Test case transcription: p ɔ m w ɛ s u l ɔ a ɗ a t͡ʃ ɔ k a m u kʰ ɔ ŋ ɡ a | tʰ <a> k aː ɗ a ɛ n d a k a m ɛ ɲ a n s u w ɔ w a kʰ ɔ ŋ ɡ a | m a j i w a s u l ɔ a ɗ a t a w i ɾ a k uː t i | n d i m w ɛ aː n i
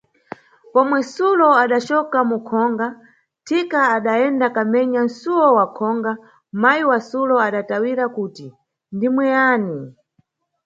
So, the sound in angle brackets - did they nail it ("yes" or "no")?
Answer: no